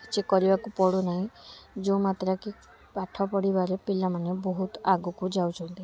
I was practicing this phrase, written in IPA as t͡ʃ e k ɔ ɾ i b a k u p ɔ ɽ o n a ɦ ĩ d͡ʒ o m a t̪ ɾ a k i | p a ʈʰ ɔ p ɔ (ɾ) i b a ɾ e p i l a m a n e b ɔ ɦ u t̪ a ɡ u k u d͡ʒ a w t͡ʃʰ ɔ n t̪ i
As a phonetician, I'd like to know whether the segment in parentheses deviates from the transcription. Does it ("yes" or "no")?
yes